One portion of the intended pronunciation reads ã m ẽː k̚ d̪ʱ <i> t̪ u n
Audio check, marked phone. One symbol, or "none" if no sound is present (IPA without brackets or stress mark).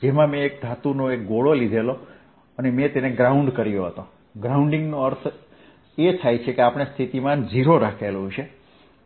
a